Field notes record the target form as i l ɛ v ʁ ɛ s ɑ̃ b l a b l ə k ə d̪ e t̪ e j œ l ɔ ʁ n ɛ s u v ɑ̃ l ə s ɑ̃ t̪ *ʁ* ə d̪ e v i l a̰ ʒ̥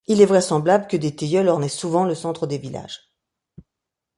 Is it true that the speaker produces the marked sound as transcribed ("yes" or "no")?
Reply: no